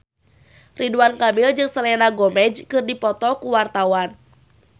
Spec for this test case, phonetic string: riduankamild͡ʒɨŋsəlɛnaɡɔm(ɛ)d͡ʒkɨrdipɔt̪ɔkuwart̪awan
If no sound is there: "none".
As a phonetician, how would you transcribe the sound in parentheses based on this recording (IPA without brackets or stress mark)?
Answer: ɛ